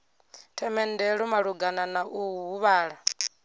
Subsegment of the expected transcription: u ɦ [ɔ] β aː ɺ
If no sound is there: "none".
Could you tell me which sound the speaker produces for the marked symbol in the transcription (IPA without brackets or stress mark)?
u